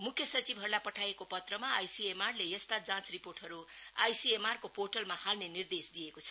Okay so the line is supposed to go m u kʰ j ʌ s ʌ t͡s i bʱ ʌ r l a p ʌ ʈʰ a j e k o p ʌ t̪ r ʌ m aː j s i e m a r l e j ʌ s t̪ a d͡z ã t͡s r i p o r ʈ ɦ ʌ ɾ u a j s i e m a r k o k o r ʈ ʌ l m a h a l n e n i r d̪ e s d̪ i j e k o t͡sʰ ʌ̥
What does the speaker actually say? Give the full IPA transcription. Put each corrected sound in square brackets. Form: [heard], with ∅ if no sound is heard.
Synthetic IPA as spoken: m u kʰ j ʌ s ʌ t͡s i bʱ ʌ r l a p ʌ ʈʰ a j e k o p ʌ t̪ r ʌ m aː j s i e m a r l e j ʌ s t̪ a d͡z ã t͡s r i p o r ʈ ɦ ʌ ɾ u a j s i e m a r k o [p] o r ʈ ʌ l m a h a l n e n i r d̪ e s d̪ i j e k o t͡sʰ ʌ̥